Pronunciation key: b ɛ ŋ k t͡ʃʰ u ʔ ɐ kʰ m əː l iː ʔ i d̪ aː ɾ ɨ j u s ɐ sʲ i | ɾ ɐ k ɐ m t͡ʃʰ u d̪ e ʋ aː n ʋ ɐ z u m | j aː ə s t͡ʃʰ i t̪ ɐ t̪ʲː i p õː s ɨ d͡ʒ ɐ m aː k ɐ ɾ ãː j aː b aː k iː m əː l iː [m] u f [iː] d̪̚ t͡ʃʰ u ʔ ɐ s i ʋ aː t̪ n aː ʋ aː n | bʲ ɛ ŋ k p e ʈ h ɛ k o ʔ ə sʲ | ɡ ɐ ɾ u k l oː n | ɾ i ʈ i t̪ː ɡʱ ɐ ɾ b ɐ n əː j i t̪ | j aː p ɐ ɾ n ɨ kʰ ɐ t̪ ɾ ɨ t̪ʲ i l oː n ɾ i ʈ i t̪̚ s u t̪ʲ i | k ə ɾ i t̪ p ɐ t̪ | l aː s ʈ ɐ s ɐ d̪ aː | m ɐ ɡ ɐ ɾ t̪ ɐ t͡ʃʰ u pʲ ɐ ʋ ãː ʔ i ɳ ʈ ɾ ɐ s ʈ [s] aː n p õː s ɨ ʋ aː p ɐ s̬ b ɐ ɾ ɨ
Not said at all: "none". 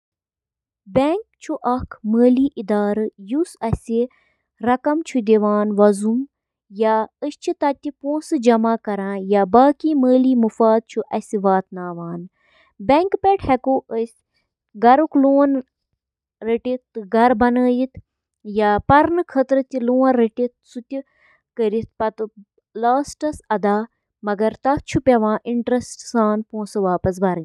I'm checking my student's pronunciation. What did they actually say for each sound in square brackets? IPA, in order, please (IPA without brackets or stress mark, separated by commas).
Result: m, aː, s